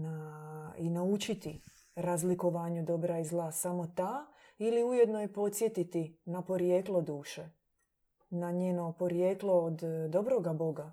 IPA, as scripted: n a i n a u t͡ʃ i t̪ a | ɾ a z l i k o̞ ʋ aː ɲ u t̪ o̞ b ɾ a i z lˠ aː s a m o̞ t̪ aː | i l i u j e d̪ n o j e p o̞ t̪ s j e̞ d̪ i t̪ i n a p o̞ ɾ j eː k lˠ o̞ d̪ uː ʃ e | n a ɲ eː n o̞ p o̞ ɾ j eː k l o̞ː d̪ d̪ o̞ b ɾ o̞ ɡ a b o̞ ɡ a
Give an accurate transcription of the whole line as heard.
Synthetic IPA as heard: n a i n a u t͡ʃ i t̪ i | ɾ a z l i k o̞ ʋ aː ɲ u d̪ o̞ b ɾ a i z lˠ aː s a m o̞ t̪ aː | i l i u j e d̪ n o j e p o̞ t̪ s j e̞ t̪ i t̪ i n a p o̞ ɾ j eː k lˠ o̞ d̪ uː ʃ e | n a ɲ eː n o̞ p o̞ ɾ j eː k l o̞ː d̪ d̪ o̞ b ɾ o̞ ɡ a b o̞ ɡ a